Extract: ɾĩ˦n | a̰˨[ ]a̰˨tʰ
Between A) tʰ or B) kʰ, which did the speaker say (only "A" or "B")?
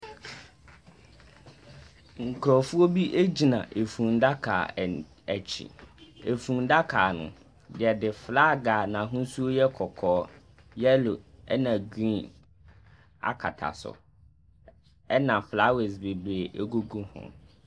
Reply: B